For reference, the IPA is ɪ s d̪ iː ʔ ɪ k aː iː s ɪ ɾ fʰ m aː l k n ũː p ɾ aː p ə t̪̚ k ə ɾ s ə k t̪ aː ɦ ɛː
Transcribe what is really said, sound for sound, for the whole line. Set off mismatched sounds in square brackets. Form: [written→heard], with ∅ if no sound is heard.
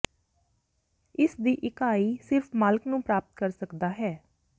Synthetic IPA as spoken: ɪ s d̪ iː ʔ ɪ k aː iː s ɪ ɾ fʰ m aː l k n ũː p ɾ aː p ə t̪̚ k ə ɾ s ə k [t̪→d̪] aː ɦ ɛː